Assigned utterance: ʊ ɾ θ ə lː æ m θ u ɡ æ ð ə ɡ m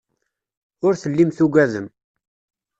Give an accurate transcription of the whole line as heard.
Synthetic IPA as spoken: ʊ ɾ θ ə lː i m θ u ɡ æ ð ə m